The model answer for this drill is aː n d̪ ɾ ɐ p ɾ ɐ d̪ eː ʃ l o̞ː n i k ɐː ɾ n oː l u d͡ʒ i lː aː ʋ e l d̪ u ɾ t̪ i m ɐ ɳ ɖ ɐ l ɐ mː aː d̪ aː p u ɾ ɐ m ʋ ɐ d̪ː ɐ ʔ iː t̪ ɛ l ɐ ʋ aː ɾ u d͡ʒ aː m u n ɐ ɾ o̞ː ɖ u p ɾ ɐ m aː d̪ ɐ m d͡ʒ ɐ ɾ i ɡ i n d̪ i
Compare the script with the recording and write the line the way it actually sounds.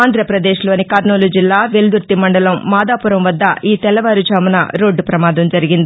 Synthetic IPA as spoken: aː n d̪ ɾ ɐ p ɾ ɐ d̪ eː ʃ l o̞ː n i k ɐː ɾ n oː l u d͡ʒ i lː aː ʋ e l d̪ u ɾ t̪ i m ɐ ɳ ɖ ɐ l ɐ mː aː d̪ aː p u ɾ ɐ m ʋ ɐ d̪ː ɐ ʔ iː t̪ ɛ l ɐ ʋ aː ɾ u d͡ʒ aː m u n ɐ ɾ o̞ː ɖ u p ɾ ɐ m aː d̪ ɐ m d͡ʒ ɐ ɾ i ɡ i n d̪ i